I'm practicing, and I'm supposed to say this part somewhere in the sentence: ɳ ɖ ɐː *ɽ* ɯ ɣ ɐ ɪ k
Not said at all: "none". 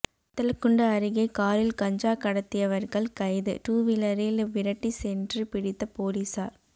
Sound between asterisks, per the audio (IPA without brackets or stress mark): ɾ